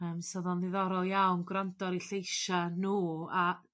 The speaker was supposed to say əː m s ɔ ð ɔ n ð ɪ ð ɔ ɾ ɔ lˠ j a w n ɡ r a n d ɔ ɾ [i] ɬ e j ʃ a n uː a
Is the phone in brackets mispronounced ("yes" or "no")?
no